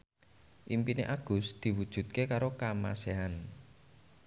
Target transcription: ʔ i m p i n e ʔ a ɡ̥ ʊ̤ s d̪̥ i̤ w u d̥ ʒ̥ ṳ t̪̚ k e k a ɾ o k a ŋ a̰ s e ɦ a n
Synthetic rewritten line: ʔ i m p i n e ʔ a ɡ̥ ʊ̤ s d̪̥ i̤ w u d̥ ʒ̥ ṳ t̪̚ k e k a ɾ o k a m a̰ s e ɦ a n